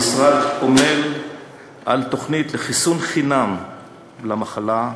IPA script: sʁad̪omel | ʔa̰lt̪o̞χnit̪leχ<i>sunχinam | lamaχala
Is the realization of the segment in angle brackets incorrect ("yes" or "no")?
no